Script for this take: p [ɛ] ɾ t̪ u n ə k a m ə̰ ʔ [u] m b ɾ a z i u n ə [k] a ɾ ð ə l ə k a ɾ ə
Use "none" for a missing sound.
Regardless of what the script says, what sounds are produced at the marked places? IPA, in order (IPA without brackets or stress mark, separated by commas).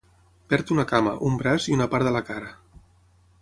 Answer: ɛ, u, p